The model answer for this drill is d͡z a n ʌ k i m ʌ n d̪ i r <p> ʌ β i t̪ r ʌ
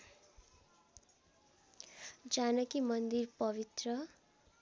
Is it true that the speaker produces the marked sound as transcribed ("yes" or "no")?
yes